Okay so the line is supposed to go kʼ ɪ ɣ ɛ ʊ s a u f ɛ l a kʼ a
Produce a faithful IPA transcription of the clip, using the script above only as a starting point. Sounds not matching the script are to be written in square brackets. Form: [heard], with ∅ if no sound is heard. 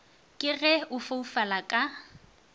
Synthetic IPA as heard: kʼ ɪ ɣ ɛ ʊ [f] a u f [a] l a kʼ a